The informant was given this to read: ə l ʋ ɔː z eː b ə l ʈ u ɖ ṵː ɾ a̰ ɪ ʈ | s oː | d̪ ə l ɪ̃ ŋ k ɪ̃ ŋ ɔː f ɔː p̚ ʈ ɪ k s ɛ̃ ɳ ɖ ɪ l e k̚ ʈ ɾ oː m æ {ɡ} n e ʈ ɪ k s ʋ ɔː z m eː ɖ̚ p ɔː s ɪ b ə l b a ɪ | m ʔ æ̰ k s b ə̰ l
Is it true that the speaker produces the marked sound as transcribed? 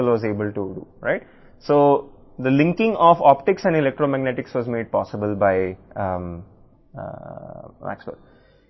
yes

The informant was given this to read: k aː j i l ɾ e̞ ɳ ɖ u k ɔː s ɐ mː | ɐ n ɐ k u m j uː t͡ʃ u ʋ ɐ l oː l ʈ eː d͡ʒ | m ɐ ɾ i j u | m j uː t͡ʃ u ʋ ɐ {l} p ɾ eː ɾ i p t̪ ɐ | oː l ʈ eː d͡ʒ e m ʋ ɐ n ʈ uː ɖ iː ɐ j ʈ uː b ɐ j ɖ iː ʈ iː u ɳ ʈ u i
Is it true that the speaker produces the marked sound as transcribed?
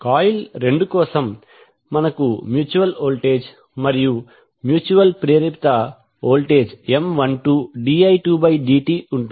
yes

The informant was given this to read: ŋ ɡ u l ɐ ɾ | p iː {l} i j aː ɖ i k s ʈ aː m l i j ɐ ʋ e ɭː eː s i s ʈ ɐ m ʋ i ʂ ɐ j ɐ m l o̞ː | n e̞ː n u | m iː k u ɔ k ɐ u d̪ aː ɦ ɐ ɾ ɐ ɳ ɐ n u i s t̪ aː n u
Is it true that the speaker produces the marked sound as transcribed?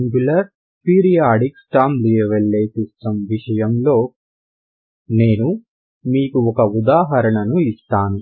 no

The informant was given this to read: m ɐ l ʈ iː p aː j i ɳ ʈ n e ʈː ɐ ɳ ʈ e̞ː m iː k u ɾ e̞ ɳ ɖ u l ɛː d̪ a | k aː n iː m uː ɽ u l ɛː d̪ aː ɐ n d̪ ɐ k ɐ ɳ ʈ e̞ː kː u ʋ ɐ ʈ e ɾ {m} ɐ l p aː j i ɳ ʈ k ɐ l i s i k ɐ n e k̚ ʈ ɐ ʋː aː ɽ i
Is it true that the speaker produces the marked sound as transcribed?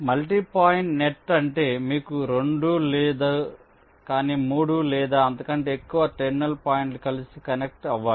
no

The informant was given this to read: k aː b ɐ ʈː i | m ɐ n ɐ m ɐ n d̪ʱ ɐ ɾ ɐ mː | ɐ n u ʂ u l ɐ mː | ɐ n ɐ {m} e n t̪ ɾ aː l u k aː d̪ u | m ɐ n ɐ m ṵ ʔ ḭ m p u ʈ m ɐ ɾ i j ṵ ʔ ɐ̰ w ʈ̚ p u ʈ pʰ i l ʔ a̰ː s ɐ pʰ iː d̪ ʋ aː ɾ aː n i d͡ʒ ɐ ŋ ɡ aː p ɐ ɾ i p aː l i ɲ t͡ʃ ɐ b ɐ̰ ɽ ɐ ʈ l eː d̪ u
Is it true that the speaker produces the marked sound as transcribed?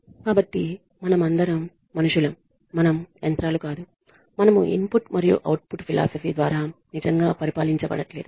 yes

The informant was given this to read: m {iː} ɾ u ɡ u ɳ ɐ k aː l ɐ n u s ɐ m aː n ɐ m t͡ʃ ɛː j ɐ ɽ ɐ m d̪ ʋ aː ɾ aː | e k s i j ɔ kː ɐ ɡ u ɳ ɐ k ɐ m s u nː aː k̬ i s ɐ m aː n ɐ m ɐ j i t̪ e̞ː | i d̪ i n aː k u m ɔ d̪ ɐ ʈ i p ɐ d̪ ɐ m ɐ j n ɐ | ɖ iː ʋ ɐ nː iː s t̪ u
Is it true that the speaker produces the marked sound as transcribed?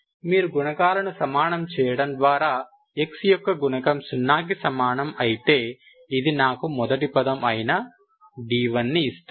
yes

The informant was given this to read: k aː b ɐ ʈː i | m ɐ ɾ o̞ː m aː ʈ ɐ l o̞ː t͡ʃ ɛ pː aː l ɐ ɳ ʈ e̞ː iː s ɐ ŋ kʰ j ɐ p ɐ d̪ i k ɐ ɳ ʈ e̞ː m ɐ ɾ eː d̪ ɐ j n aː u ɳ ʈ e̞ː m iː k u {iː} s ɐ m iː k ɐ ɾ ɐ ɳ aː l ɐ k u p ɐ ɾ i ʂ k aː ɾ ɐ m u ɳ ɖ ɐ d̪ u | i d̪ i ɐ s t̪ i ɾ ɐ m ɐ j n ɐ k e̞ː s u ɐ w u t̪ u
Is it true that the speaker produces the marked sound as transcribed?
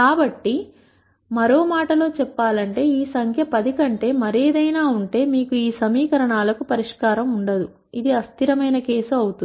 yes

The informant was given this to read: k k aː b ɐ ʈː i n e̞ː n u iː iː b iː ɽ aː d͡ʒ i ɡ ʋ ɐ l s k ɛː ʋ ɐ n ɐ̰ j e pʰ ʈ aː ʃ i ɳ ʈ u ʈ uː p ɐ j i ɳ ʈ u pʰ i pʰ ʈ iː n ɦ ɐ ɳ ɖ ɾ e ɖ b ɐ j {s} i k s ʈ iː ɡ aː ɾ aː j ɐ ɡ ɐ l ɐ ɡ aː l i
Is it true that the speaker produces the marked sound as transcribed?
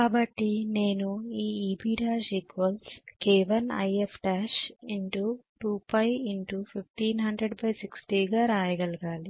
yes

